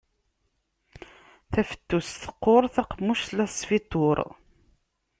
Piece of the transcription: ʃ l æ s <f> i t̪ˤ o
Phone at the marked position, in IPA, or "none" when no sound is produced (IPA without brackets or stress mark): f